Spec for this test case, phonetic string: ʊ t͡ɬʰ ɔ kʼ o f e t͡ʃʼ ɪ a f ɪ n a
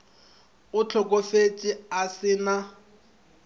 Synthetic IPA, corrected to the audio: ʊ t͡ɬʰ ɔ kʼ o f e t͡ʃʼ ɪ a s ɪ n a